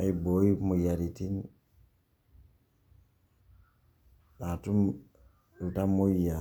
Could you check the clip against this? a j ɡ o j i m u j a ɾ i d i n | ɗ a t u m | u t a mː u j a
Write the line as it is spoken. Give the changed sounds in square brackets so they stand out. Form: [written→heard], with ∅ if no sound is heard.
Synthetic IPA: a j [ɡ→b] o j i m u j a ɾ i [d→t] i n | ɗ a t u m | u t a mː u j a